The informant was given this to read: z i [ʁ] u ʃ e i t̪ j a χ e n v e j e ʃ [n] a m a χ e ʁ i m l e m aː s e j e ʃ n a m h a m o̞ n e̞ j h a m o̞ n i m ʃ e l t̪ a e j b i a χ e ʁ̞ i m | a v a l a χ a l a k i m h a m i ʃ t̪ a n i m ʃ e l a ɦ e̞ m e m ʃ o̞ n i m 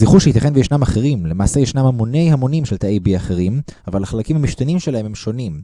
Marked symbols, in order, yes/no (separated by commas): no, yes